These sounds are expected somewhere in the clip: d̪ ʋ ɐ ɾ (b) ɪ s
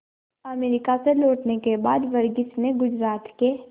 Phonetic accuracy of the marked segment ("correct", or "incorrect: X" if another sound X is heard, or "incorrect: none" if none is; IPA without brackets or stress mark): incorrect: ɡ